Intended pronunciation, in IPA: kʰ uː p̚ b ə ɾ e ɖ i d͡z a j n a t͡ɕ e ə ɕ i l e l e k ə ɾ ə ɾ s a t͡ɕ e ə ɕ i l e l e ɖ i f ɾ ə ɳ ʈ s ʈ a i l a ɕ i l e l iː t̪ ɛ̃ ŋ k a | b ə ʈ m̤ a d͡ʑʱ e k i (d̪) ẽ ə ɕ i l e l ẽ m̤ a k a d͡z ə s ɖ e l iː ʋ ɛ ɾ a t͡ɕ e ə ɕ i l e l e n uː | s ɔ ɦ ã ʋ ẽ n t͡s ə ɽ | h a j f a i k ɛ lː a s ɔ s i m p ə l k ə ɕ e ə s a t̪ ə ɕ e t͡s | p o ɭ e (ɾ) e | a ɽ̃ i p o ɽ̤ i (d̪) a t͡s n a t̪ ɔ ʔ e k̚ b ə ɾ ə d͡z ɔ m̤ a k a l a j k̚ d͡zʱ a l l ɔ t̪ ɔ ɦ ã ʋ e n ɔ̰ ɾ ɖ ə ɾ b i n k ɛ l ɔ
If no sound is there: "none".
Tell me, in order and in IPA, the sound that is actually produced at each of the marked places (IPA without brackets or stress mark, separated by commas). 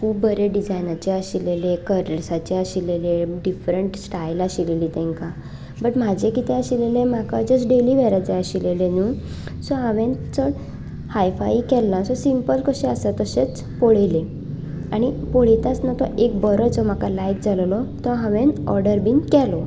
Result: t̪, l, t̪